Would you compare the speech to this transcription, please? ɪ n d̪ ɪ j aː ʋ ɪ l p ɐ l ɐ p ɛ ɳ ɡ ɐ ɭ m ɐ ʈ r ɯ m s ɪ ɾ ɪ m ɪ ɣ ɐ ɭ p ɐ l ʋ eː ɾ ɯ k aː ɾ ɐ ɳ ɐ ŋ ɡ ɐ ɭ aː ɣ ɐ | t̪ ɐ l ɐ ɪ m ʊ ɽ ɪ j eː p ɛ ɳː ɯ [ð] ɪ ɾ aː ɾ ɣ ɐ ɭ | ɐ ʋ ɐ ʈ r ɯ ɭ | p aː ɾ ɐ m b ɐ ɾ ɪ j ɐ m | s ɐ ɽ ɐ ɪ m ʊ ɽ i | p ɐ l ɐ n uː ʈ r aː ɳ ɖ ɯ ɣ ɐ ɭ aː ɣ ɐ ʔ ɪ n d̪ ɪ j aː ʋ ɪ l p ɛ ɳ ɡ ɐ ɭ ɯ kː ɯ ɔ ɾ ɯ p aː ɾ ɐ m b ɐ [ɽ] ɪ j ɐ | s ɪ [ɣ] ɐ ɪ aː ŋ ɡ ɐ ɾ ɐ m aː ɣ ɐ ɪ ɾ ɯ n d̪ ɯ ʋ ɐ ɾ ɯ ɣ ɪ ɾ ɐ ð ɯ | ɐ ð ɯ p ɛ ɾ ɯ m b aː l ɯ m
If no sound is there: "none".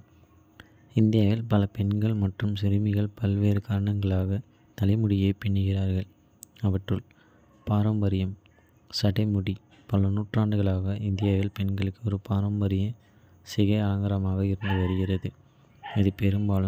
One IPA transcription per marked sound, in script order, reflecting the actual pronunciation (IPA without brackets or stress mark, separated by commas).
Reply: ɣ, ɾ, ɣ